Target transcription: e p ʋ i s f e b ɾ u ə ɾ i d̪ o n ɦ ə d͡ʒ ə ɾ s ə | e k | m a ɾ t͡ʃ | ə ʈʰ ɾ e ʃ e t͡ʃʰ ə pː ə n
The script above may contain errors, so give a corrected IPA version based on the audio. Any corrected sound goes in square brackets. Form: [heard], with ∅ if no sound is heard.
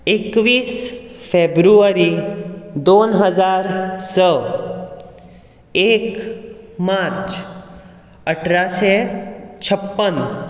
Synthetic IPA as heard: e [k] ʋ i s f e b ɾ u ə ɾ i d̪ o n ɦ ə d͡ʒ [a] ɾ s ə | e k | m a ɾ t͡ʃ | ə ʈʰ ɾ [a] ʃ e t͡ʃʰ ə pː ə n